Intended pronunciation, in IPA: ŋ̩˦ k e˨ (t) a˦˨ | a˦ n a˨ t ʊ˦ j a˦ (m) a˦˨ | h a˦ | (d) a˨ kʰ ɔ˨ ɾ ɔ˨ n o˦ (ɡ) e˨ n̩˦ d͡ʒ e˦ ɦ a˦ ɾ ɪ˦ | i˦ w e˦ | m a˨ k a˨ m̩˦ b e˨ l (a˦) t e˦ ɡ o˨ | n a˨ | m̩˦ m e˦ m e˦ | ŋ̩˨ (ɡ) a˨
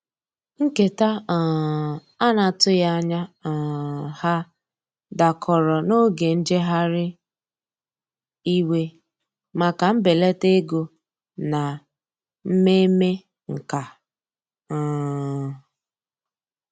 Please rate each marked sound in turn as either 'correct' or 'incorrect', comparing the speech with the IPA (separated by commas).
correct, incorrect, correct, correct, incorrect, incorrect